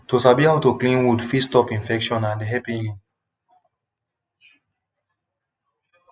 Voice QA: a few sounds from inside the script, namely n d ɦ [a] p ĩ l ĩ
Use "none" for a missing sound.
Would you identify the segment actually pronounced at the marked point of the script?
ɛ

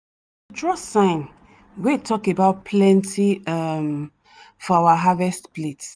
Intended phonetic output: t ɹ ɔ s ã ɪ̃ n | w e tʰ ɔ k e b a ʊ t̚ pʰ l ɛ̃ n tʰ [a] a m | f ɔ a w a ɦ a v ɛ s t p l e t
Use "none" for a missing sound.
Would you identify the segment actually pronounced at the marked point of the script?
i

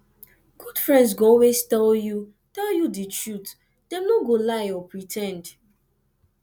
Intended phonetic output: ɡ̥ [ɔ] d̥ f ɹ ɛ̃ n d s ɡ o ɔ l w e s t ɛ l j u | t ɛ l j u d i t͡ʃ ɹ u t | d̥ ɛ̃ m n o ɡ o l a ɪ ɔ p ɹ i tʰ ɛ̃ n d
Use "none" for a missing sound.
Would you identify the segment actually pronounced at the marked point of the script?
u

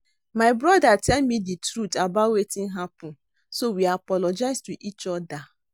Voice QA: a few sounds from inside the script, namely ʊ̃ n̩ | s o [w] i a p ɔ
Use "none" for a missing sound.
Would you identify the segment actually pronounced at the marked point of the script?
w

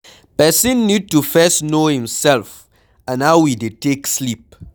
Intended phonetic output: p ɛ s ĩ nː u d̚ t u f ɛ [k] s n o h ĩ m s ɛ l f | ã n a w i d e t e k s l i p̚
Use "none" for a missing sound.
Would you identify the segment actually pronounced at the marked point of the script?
none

